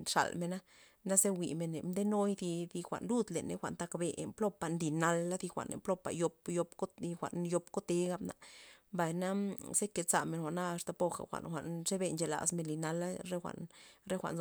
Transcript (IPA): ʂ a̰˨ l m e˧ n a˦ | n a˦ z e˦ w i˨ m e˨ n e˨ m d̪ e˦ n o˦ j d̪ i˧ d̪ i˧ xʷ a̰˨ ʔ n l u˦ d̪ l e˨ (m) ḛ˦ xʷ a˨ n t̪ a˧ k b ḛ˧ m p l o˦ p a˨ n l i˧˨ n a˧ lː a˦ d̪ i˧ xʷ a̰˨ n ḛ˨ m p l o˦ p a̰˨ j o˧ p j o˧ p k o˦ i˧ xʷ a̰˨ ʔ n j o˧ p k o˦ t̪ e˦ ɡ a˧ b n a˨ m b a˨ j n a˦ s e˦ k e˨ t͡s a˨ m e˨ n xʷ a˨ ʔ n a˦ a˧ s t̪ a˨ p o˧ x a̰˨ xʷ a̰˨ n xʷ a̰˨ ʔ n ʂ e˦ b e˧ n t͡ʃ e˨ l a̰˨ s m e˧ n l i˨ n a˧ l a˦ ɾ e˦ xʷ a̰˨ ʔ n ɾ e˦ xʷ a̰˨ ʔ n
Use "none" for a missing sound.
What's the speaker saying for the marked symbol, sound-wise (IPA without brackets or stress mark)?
n